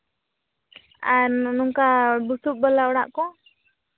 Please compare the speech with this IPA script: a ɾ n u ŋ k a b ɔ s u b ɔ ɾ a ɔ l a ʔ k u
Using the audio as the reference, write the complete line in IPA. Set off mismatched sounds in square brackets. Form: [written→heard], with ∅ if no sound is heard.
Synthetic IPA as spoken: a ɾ n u ŋ k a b [ɔ→u] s u b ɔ [ɾ→l] a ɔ [l→ɽ] a ʔ k [u→ɔ]